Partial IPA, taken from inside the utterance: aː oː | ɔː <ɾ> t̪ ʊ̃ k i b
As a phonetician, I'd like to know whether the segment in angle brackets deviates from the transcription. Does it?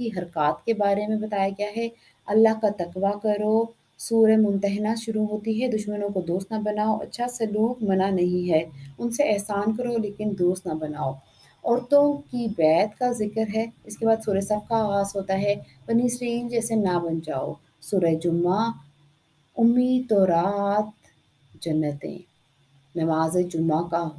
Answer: no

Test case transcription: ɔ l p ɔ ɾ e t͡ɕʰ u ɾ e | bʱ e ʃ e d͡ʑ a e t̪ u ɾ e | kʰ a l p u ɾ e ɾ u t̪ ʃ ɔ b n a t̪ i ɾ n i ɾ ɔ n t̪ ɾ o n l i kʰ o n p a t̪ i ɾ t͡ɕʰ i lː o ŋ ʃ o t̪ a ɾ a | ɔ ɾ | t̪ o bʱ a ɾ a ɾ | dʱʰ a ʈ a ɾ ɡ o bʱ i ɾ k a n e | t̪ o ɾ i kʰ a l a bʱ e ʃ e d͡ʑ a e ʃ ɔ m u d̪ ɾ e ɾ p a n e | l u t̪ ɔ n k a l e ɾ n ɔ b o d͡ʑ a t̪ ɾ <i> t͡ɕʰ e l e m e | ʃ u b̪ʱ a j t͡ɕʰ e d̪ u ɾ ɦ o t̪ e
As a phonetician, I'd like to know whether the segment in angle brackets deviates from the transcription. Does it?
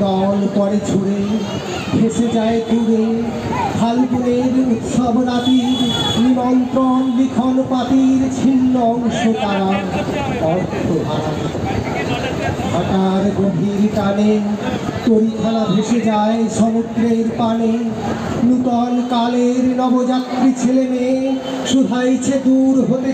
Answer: no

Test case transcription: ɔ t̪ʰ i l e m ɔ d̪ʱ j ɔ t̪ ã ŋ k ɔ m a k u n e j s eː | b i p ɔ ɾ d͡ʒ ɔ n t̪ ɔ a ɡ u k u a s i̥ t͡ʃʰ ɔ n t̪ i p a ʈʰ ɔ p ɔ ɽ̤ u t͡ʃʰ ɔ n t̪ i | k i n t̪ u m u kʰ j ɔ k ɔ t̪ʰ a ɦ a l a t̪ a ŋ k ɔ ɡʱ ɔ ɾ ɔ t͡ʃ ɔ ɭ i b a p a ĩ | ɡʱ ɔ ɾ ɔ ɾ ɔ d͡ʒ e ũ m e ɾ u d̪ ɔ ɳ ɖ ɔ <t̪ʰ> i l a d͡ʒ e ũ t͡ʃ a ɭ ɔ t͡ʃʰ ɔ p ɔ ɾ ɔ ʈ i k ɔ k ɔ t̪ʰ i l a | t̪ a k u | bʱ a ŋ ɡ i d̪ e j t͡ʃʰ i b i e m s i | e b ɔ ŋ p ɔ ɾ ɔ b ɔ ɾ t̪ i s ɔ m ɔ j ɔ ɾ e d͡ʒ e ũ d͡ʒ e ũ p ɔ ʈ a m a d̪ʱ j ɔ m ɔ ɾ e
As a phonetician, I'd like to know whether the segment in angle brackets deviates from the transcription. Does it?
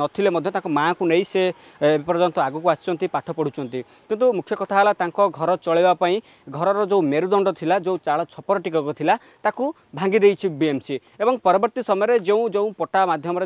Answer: no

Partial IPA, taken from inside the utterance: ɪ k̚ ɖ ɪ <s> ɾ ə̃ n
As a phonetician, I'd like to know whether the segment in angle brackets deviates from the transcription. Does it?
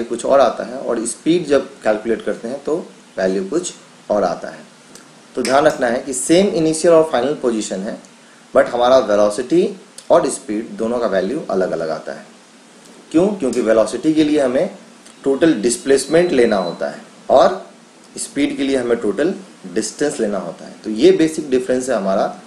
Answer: yes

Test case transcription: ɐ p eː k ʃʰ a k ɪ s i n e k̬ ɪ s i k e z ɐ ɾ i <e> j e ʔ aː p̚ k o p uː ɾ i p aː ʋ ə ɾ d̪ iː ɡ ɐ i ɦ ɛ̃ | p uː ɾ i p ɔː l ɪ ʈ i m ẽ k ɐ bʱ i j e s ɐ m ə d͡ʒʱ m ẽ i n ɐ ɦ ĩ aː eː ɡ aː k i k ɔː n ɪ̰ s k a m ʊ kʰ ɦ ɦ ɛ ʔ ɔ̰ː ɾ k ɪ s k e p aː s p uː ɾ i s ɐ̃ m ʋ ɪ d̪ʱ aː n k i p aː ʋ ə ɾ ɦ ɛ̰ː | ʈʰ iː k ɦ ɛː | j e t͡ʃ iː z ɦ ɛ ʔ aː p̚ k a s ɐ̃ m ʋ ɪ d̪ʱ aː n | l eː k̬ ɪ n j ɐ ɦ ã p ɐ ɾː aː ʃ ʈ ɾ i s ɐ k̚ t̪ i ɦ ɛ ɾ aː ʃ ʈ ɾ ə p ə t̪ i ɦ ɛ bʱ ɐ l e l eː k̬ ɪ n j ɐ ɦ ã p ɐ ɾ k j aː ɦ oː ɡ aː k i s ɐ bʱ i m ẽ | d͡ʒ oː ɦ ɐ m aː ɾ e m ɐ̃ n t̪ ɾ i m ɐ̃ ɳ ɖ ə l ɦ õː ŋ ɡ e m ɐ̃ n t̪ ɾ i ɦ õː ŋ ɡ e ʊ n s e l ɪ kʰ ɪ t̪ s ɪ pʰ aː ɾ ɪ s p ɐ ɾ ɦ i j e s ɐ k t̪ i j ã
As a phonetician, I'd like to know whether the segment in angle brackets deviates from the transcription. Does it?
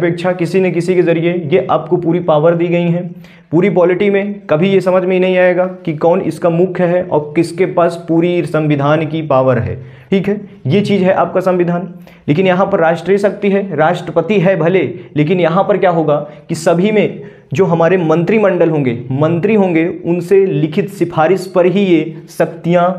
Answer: no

